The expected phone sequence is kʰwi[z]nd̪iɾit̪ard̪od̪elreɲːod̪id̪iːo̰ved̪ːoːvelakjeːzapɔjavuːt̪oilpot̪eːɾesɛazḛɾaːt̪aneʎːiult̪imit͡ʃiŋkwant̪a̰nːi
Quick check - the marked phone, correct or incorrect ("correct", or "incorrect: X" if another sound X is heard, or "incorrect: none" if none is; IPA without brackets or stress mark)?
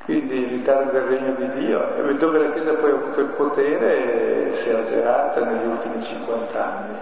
incorrect: none